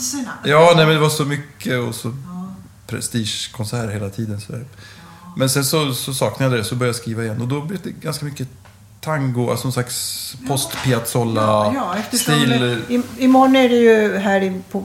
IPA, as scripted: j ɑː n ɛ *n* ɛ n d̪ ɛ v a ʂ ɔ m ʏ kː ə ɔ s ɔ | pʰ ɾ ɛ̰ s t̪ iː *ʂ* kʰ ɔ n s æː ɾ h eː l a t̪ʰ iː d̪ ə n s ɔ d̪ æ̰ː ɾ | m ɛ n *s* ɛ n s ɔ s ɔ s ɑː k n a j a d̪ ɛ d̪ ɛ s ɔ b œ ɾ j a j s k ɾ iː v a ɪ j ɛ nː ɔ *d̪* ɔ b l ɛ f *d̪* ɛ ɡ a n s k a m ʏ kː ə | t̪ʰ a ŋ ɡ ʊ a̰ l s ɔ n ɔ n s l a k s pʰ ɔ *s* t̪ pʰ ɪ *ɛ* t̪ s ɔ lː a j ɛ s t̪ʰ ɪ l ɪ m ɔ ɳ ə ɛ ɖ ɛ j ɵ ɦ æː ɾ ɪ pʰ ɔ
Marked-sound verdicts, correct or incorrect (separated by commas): incorrect, correct, correct, correct, correct, correct, incorrect